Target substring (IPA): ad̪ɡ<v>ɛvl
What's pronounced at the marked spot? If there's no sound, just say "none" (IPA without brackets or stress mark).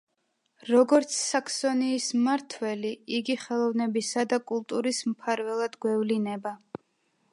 w